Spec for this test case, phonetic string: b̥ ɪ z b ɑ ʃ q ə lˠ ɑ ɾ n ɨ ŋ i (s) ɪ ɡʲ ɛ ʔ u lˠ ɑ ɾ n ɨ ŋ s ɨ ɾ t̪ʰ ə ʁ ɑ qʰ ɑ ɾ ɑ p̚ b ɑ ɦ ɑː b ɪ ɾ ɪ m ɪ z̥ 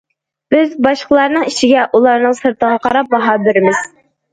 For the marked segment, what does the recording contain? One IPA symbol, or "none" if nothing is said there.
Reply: ʃ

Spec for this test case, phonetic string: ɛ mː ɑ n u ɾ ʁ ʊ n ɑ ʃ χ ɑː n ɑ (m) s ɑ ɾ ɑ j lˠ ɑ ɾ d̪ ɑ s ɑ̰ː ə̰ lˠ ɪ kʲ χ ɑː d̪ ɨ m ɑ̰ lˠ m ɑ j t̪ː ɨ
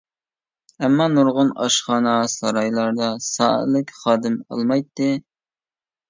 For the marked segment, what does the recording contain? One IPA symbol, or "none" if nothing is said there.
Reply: none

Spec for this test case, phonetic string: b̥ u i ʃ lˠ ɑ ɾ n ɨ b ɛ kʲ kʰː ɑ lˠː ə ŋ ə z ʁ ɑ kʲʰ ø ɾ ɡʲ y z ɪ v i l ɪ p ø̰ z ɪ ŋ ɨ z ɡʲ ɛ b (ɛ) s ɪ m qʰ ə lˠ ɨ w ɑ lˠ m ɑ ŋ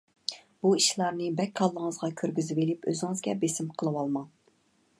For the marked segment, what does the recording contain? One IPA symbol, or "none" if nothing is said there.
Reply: e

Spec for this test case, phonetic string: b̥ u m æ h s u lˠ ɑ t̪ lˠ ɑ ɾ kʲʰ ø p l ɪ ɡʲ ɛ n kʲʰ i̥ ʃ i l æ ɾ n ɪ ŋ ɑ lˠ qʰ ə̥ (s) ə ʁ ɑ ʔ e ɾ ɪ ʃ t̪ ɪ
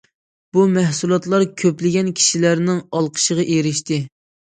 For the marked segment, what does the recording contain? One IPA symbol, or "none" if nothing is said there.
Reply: ʃ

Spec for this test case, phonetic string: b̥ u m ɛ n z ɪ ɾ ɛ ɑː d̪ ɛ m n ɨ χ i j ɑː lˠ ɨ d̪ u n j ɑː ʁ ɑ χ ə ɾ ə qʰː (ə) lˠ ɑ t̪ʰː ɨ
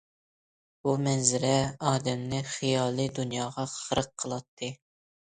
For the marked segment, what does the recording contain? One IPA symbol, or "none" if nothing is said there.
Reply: ə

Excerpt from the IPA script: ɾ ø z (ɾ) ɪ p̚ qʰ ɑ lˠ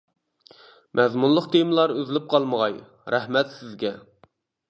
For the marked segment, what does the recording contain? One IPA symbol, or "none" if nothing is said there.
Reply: l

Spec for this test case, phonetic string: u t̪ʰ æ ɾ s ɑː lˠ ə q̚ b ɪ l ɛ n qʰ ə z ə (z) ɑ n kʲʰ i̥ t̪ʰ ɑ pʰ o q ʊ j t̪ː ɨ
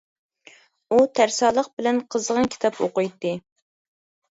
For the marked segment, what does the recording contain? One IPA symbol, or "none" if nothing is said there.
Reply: ʁ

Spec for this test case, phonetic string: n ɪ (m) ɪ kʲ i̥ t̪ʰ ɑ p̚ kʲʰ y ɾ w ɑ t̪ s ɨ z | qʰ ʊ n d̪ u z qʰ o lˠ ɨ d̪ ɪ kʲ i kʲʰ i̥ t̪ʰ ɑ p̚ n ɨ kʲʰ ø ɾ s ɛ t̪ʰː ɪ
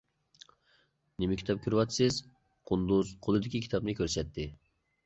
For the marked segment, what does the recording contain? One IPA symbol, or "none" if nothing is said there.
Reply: m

